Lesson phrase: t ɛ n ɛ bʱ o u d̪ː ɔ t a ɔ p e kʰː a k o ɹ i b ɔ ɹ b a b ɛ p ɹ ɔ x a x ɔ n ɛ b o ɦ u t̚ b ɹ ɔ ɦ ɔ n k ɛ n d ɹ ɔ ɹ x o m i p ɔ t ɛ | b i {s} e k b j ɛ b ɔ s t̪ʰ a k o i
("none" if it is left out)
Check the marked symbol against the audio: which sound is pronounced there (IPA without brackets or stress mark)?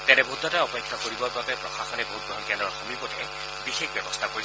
x